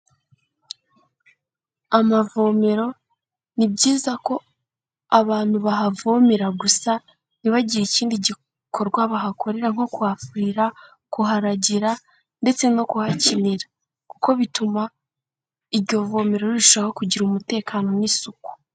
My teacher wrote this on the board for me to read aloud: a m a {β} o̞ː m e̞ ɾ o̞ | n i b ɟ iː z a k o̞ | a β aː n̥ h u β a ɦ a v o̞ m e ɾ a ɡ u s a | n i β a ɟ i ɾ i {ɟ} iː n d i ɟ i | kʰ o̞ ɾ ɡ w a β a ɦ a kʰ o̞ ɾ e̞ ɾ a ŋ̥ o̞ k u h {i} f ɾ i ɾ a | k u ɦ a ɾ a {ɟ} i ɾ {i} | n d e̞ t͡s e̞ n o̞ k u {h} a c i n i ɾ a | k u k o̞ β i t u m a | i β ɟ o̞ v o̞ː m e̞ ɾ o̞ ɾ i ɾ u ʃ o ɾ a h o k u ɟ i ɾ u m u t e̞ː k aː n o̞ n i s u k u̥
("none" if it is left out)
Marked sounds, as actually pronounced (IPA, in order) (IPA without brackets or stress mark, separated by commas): v, c, a, ɟ, a, h